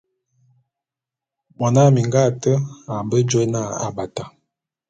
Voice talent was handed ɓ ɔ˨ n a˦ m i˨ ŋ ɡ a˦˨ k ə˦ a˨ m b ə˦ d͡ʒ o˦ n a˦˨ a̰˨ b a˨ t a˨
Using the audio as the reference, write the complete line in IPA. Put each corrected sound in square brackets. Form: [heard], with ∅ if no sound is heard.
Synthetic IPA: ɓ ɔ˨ n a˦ m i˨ ŋ ɡ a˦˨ [t] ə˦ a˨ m b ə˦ d͡ʒ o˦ n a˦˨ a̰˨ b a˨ t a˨